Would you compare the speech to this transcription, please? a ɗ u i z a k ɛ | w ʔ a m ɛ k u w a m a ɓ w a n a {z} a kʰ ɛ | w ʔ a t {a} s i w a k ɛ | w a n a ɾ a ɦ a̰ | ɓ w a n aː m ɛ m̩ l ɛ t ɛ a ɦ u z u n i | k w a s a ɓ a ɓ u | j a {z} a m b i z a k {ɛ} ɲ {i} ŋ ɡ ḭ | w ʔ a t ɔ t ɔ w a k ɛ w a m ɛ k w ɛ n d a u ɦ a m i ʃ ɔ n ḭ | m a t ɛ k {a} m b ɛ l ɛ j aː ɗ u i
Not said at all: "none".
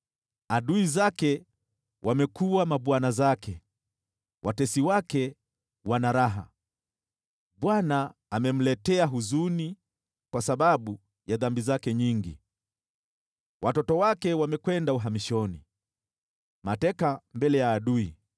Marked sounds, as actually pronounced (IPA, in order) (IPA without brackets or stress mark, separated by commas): z, ɛ, ð, ɛ, i, a